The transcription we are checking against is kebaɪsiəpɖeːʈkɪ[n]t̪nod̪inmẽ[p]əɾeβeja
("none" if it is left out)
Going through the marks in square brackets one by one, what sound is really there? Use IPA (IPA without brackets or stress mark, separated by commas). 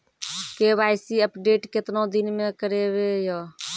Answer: none, k